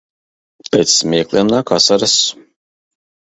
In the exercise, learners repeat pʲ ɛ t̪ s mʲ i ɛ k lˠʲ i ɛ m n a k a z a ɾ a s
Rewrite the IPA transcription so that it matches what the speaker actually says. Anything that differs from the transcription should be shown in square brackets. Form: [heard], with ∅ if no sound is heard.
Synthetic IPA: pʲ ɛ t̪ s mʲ i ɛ k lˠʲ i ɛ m n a k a [s] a ɾ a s